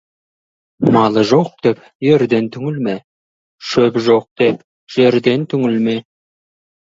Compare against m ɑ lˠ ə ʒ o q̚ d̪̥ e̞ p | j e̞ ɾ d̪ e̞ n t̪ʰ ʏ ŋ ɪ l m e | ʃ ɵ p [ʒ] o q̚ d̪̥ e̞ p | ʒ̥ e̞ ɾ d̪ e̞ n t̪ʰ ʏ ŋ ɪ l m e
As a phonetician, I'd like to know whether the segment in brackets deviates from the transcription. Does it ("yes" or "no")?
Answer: no